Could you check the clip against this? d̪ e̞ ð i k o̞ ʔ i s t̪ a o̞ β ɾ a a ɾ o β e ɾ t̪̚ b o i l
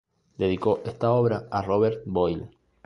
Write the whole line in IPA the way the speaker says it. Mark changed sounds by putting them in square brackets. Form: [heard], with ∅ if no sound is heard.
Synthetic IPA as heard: d̪ e̞ ð i k o̞ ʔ [e] s t̪ a o̞ β ɾ a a [r] o β e ɾ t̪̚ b o [j] l